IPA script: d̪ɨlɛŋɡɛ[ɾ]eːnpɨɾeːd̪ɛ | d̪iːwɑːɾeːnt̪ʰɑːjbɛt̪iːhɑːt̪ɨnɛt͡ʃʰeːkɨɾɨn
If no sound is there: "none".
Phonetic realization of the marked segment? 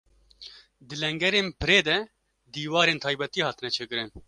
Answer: ɾ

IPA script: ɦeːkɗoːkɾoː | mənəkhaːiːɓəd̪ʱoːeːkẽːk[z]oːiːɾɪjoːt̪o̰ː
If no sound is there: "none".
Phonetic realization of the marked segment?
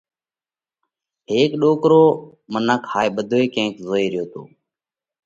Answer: z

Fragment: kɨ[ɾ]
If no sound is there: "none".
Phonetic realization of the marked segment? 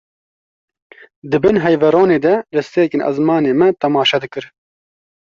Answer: ɾ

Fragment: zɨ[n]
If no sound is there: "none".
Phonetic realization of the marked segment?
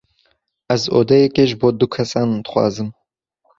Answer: m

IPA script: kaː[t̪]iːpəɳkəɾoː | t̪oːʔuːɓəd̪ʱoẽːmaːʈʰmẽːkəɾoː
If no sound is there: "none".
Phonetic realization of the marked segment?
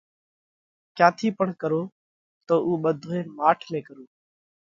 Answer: t̪ʰ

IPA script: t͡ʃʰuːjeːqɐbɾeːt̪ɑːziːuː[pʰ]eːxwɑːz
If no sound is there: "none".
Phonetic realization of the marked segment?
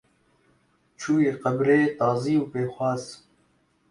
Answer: p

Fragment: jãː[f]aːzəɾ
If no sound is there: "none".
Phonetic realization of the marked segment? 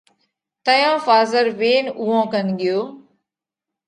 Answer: f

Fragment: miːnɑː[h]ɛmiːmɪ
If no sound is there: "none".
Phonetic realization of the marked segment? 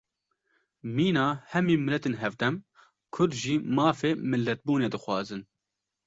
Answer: h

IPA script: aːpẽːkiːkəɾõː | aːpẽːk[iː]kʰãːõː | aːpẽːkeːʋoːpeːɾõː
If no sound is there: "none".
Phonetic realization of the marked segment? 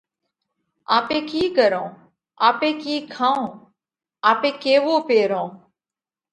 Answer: iː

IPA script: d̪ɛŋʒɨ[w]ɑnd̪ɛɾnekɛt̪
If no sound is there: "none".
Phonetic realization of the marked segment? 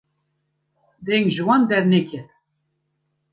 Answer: w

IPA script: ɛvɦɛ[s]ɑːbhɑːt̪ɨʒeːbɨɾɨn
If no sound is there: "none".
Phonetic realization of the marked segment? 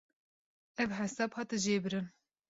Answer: s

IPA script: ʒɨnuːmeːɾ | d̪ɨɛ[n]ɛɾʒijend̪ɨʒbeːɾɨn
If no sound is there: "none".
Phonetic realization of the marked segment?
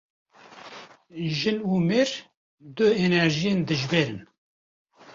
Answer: n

